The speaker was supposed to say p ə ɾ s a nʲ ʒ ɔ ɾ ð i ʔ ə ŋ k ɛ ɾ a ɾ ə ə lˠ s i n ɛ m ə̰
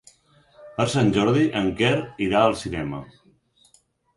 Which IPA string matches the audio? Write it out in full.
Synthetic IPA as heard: p ə ɾ s a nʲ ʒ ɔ ɾ ð i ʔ ə ŋ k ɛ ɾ i ɾ a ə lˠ s i n ɛ m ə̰